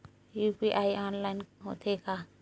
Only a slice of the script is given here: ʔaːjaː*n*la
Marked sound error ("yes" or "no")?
no